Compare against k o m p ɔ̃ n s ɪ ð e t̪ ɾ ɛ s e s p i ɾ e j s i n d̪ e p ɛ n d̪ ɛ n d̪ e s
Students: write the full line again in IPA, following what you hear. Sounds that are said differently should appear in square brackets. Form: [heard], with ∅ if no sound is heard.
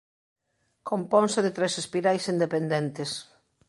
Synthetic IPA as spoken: k o m p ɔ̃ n s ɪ ð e t̪ ɾ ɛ s e s p i ɾ [a] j s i n d̪ e p [e] n d̪ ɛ n [t̪] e s

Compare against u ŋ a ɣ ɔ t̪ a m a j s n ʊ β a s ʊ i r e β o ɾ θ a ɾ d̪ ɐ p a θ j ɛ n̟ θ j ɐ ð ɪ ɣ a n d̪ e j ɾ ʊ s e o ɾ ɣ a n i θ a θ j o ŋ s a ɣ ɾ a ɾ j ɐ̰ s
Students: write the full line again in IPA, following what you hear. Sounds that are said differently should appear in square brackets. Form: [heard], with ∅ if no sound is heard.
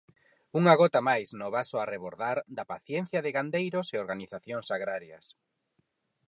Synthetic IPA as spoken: u ŋ a ɣ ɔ t̪ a m a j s n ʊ β a s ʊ [a] r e β o ɾ [ð] a ɾ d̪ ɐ p a θ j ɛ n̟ θ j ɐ ð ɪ ɣ a n d̪ e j ɾ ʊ s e o ɾ ɣ a n i θ a θ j o ŋ s a ɣ ɾ a ɾ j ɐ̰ s

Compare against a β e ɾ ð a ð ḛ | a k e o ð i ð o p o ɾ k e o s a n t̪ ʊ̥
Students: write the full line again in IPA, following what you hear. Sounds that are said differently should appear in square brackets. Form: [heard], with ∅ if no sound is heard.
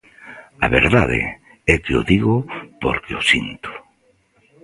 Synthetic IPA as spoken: a β e ɾ ð a ð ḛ | [ɛ] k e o ð i [ɣ] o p o ɾ k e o s [i] n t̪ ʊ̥

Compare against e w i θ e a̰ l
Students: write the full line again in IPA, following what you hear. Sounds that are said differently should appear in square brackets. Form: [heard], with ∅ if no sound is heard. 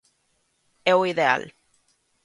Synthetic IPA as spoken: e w i [ð] e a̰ l

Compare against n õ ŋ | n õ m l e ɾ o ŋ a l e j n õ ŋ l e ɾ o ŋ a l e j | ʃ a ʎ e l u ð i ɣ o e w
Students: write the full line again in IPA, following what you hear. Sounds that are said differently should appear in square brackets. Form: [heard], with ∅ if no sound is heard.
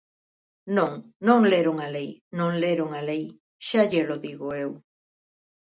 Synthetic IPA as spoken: n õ ŋ | n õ [ŋ] l e ɾ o ŋ a l e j n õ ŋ l e ɾ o ŋ a l e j | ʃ a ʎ e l [o] ð i ɣ o e w

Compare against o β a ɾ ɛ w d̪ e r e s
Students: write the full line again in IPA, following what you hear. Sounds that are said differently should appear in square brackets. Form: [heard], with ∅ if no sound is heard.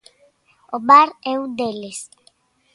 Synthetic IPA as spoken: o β a ɾ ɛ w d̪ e [l] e s

